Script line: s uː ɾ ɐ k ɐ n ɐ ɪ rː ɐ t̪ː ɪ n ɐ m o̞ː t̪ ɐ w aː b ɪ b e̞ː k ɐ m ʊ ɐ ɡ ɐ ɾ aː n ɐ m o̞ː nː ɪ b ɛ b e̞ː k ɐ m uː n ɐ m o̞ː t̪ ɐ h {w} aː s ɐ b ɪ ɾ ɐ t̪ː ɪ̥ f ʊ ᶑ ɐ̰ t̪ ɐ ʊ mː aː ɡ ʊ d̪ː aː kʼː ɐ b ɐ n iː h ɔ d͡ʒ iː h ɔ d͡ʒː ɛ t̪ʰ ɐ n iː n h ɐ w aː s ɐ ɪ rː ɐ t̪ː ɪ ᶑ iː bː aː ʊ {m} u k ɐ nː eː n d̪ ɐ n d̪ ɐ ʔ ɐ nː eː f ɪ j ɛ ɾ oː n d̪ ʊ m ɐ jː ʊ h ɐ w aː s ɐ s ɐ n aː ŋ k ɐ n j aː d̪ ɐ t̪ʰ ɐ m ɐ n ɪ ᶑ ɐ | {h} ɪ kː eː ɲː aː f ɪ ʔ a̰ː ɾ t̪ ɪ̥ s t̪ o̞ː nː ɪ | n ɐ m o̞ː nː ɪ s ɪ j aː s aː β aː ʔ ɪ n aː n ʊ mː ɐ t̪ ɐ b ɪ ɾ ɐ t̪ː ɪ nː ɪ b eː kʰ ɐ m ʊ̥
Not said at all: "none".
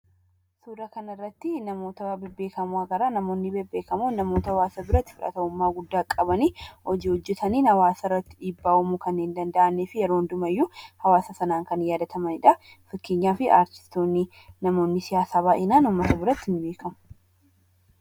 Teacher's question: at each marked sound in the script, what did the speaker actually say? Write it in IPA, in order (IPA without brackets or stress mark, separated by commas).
w, m, f